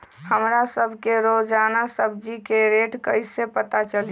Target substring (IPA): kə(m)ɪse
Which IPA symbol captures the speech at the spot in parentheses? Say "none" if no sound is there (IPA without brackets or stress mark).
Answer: none